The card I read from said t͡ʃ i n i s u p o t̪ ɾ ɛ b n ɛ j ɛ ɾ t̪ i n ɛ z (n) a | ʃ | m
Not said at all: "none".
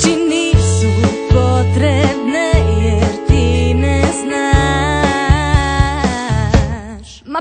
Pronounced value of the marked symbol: n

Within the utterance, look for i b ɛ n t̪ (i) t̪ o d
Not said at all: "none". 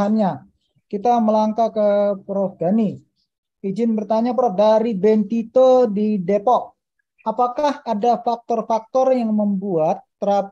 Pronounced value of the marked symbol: i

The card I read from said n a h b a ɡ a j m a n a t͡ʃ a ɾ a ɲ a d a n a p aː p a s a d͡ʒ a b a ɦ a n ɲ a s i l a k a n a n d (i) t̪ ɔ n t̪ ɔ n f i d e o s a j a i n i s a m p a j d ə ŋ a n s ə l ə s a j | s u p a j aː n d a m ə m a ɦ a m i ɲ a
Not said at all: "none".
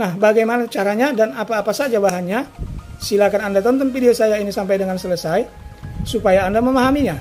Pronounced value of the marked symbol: a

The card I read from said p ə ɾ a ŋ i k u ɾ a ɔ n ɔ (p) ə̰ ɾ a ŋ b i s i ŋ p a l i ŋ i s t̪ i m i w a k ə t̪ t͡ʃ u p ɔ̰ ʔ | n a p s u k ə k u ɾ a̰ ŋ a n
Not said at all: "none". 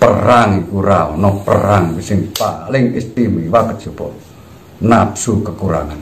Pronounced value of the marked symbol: p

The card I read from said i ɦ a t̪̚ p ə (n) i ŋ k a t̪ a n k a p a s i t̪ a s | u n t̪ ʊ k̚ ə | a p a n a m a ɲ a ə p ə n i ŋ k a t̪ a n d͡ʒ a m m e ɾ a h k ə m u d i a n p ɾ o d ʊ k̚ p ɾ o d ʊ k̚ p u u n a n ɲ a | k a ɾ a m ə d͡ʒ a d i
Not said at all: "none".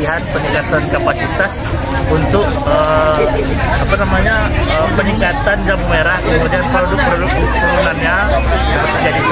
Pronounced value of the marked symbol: n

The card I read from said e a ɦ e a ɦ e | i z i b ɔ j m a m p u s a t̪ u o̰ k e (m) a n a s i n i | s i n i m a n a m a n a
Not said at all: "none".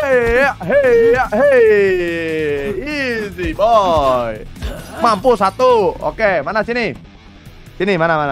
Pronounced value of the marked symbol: m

